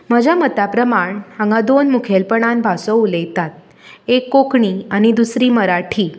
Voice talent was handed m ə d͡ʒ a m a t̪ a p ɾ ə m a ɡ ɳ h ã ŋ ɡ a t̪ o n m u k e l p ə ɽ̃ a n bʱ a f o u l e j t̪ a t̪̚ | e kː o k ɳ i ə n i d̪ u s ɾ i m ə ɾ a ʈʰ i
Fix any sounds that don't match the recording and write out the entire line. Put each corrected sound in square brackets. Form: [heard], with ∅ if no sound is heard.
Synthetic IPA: m ə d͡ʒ a m [ə] t̪ a p ɾ ə m a [∅] ɳ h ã ŋ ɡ a [d̪] o n m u [kʰ] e l p ə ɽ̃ a n bʱ a [s] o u l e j t̪ a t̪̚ | e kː o k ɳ i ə n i d̪ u s ɾ i m ə ɾ a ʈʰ i